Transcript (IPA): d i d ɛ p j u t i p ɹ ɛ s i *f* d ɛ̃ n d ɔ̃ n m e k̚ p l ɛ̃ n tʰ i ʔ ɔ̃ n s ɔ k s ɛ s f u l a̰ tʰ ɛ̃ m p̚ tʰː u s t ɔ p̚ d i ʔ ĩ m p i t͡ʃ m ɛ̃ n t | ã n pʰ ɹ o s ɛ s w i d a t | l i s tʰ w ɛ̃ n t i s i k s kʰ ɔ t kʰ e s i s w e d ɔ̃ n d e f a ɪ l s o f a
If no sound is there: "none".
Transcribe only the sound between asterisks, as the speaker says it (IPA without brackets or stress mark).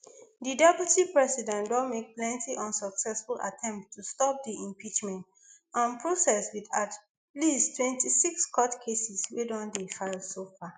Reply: none